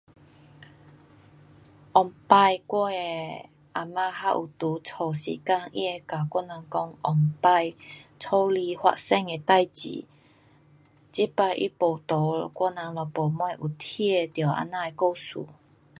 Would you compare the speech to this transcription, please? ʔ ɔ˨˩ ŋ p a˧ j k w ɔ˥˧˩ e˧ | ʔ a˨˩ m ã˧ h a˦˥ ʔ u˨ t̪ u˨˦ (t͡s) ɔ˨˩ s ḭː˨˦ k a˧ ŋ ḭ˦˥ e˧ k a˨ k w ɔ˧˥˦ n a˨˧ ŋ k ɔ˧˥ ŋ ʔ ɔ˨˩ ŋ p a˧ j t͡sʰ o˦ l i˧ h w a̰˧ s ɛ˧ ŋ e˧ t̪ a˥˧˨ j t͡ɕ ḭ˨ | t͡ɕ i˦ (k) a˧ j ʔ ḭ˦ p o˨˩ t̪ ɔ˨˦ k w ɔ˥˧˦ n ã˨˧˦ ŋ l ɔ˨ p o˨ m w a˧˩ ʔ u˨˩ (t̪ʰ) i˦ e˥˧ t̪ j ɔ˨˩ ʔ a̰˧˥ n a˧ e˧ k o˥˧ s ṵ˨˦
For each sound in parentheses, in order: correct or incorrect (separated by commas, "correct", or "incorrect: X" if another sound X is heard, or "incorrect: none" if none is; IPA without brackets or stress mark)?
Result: incorrect: t͡sʰ, incorrect: p, correct